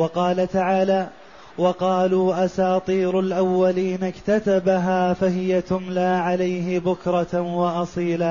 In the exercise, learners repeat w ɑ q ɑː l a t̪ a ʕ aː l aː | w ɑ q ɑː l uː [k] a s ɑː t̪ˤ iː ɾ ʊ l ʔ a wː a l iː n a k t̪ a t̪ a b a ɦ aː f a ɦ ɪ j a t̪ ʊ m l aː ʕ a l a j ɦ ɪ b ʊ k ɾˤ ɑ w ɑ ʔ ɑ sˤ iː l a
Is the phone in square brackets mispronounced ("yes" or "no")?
yes